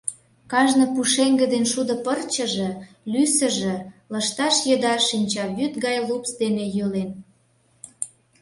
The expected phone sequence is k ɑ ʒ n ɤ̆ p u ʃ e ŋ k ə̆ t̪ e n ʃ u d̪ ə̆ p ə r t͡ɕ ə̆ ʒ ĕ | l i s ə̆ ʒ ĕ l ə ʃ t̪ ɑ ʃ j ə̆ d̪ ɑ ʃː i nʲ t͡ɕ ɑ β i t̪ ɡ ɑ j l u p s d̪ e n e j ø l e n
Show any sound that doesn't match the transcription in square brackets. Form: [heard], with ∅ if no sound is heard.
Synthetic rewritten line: k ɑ ʒ n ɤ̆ p u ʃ e ŋ [ɡ] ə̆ [d̪] e n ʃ u d̪ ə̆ p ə r t͡ɕ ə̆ ʒ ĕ | l [y] s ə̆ ʒ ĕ l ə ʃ t̪ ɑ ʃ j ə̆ d̪ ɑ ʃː i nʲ t͡ɕ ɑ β [y] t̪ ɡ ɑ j l u p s d̪ e n e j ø l e n

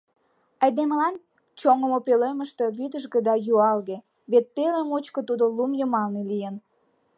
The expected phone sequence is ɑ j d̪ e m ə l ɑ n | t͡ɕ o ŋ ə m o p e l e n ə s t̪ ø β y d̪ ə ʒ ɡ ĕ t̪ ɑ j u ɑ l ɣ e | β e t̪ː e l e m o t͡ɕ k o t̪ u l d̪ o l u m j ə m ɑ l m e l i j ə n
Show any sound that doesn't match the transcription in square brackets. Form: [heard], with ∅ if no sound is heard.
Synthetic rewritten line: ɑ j d̪ e m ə l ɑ n | t͡ɕ o ŋ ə m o p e l e [m] ə [ʃ] t̪ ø β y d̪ ə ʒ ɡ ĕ [d̪] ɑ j u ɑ l ɣ e | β e t̪ː e l e m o t͡ɕ k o t̪ u [∅] d̪ o l u m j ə m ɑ l [n] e l i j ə n

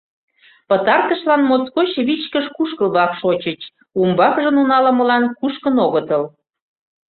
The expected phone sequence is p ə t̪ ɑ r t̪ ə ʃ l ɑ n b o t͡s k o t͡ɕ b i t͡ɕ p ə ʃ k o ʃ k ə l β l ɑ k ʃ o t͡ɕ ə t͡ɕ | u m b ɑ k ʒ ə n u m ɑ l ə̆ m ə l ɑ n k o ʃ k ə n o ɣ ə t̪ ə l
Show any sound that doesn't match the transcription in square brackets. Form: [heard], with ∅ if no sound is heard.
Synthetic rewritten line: p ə t̪ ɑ r t̪ ə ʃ l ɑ n [m] o t͡s k o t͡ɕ [β] i t͡ɕ [k] ə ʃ k [u] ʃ k ə l β l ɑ k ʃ o t͡ɕ ə t͡ɕ | u m b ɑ k ʒ ə n u [n] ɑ l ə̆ m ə l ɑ n k [u] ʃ k ə n o ɣ ə t̪ ə l

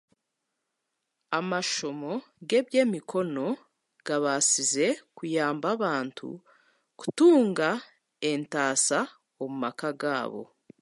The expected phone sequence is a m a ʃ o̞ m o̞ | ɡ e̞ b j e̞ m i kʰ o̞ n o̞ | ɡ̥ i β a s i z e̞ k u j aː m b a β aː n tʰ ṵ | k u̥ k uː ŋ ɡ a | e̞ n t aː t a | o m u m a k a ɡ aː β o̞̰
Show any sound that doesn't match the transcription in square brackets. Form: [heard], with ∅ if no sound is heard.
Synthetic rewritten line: a m a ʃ o̞ m o̞ | ɡ e̞ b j e̞ m i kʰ o̞ n o̞ | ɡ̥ [a] β a s i z e̞ k u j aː m b a β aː n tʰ ṵ | k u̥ [t] uː ŋ ɡ a | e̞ n t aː [s] a | o m u m a k a ɡ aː β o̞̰

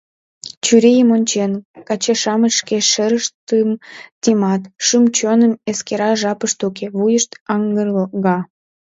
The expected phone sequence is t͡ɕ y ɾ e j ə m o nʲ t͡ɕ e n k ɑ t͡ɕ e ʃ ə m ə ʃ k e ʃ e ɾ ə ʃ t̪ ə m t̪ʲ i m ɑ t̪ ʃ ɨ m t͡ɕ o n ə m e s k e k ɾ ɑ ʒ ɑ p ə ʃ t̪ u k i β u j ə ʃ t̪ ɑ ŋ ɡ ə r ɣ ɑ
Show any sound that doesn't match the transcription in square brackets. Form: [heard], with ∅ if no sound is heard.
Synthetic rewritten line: t͡ɕ y ɾ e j ə m o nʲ t͡ɕ e n k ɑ t͡ɕ e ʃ [ɑ] m ə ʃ k e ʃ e ɾ ə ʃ t̪ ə m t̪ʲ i m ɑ t̪ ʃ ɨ m t͡ɕ o n ə m e s k e [∅] ɾ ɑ ʒ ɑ p ə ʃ t̪ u k [e] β u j ə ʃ t̪ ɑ ŋ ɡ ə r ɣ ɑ

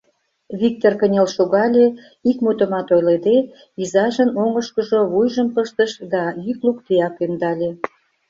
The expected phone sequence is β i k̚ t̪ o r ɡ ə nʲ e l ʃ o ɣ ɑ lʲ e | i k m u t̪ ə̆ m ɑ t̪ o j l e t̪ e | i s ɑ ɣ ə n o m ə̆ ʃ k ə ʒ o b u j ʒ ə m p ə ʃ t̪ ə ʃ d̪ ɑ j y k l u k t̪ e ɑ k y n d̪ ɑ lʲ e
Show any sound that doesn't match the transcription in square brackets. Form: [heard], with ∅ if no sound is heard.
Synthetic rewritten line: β i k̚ t̪ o r [k] ə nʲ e l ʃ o ɣ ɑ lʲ e | i k m u t̪ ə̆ m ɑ t̪ o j l e [d̪] e | i [z] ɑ [ʒ] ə n o [ŋ] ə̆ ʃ k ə ʒ o [β] u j ʒ ə m p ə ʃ t̪ ə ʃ d̪ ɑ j y k l u k t̪ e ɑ k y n d̪ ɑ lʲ e

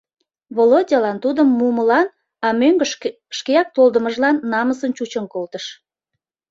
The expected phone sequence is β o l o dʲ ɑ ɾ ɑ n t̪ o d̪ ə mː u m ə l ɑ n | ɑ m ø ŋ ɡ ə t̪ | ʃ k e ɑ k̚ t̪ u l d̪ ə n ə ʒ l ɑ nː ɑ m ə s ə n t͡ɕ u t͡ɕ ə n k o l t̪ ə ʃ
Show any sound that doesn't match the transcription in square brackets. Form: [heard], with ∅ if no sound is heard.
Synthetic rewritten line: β o l o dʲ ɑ [l] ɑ n t̪ [u] d̪ ə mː u m ə l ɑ n | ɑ m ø ŋ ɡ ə [∅] | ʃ k e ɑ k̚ t̪ [o] l d̪ ə [m] ə ʒ l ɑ nː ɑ m ə s ə n t͡ɕ u t͡ɕ ə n k o l t̪ ə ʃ

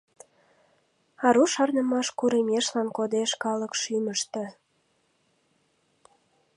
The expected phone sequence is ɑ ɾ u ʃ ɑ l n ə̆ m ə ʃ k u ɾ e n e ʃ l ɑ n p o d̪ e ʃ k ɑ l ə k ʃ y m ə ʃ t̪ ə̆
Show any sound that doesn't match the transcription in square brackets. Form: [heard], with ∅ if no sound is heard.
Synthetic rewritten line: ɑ ɾ u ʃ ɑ [r] n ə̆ m [ɑ] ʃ k u ɾ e [m] e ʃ l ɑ n [k] o d̪ e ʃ k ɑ l ə k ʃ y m ə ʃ t̪ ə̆

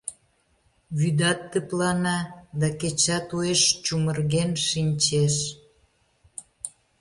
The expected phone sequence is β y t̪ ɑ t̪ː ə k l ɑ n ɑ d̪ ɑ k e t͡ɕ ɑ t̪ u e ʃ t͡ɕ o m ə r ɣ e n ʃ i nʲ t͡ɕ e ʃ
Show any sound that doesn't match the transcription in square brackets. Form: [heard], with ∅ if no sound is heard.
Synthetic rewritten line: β y [d̪] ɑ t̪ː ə [p] l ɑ n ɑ d̪ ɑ k e t͡ɕ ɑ t̪ u e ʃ t͡ɕ [u] m ə r ɣ e n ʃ i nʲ t͡ɕ e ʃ

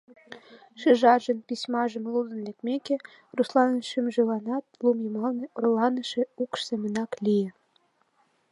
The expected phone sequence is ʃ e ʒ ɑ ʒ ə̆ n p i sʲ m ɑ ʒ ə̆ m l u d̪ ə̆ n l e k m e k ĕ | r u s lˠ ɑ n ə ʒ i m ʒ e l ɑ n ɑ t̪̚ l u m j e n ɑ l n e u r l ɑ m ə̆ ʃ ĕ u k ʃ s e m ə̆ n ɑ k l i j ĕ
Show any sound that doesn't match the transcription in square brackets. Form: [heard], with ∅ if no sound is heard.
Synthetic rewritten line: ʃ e ʒ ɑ ʒ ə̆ n p i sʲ m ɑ ʒ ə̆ m l u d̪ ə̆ n l e k m e k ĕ | r u s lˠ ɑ n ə [ʃ] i m ʒ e l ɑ n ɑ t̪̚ l u m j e [m] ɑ l n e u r l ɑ [n] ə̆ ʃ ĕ u k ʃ s e m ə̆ n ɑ k l i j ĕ

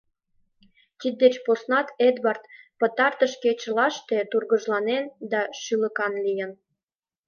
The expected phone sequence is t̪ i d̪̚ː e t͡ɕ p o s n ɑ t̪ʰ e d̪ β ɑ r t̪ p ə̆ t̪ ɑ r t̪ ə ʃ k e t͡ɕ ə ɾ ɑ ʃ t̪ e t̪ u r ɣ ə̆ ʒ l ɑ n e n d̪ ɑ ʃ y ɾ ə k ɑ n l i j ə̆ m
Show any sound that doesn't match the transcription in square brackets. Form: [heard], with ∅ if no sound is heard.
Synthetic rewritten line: t̪ i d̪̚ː e t͡ɕ p o s n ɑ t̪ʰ e d̪ β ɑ r t̪ p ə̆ t̪ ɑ r t̪ ə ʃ k e t͡ɕ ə [l] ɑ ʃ t̪ e t̪ u r ɣ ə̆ ʒ l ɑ n e n d̪ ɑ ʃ y [l] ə k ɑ n l i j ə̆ [n]

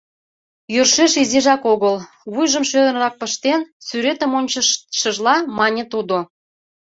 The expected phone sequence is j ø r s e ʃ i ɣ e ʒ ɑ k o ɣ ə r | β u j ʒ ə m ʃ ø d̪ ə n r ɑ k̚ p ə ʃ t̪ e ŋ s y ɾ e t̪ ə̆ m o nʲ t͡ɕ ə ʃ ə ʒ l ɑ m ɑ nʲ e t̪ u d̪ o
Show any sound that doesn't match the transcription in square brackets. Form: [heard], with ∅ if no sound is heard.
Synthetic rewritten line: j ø r [ʃ] e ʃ i [z] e ʒ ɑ k o ɣ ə [l] | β u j ʒ ə m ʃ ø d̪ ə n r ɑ k̚ p ə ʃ t̪ e [n] s y ɾ e t̪ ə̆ m o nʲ t͡ɕ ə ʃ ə ʒ l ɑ m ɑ nʲ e t̪ u d̪ o

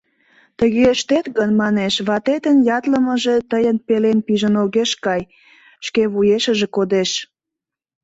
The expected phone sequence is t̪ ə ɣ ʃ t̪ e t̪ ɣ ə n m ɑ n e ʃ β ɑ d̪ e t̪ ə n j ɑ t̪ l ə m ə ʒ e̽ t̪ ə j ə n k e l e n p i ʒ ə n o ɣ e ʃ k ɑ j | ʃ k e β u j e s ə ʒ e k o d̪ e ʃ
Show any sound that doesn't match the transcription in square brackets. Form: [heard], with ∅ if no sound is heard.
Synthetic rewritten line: t̪ ə ɣ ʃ t̪ e t̪ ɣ ə n m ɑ n e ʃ β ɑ [t̪] e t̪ ə n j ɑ t̪ l ə m ə ʒ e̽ t̪ ə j ə n [p] e l e n p i ʒ ə n o ɣ e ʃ k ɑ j | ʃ k e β u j e [ʃ] ə ʒ e k o d̪ e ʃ

